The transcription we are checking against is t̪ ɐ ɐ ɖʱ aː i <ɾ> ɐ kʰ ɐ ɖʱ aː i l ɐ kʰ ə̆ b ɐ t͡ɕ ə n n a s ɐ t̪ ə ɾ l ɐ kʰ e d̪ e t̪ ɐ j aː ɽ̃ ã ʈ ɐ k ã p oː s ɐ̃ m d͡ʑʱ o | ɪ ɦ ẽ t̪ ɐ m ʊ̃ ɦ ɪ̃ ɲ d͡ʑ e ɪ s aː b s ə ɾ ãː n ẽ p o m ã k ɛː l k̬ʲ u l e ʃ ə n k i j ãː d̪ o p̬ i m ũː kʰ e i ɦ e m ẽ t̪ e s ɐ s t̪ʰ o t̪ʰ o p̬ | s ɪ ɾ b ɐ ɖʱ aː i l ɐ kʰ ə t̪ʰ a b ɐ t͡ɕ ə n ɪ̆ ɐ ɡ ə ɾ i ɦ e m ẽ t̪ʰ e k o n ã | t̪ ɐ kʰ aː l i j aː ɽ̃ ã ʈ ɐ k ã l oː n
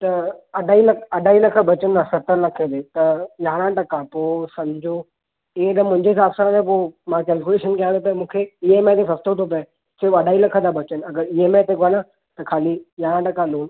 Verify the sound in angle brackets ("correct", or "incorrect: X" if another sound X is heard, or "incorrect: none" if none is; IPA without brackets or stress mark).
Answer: incorrect: l